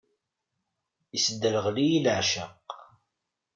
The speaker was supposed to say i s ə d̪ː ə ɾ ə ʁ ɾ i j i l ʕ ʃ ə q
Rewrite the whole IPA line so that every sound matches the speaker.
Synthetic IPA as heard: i s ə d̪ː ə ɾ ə ʁ l i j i l ʕ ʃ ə q